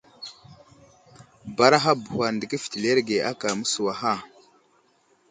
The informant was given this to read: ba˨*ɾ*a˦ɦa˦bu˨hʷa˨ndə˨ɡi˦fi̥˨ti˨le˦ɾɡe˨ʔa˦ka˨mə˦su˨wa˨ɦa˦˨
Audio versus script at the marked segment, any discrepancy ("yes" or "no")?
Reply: no